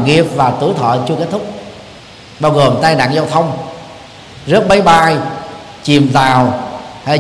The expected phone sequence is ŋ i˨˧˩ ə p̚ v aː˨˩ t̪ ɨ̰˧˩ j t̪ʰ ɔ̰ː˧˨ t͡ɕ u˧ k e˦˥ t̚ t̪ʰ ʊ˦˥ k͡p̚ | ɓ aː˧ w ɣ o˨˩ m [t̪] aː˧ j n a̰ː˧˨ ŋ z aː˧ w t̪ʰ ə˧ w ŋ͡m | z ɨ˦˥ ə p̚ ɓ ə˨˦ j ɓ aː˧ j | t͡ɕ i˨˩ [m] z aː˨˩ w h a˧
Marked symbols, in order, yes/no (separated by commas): yes, yes